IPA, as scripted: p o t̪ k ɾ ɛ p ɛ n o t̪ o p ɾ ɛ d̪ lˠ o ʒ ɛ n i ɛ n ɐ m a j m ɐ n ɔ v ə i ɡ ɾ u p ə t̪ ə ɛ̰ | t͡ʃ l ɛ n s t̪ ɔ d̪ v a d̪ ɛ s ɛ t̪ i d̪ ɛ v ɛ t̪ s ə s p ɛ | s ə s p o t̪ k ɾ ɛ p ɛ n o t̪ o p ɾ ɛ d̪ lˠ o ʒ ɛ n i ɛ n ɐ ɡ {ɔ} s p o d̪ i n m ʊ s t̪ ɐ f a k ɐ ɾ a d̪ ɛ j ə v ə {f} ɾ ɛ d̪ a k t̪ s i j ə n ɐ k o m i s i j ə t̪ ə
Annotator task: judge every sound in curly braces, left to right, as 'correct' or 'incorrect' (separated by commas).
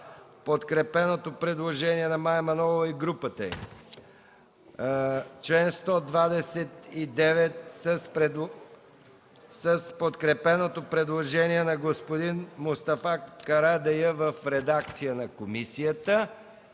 incorrect, correct